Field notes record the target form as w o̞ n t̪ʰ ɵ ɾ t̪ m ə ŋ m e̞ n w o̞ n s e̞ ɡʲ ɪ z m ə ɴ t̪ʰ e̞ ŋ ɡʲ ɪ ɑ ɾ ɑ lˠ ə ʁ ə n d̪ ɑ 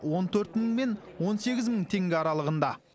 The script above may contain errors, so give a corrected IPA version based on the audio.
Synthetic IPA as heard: w o̞ n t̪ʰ ɵ ɾ t̪ m ə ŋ m e̞ n w o̞ n s e̞ ɡʲ ɪ z m ə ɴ t̪ʰ e̞ ŋ ɡʲ ɪ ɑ ɾ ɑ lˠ ə ʁ ə n d̪ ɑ